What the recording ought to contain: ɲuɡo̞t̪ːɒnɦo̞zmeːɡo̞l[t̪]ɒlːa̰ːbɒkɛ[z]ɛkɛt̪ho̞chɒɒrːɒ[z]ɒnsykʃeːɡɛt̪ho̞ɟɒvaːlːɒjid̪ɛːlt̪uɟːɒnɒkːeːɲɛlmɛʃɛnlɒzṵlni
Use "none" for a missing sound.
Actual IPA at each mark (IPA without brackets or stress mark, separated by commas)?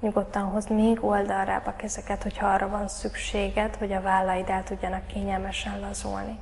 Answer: d̪, z, v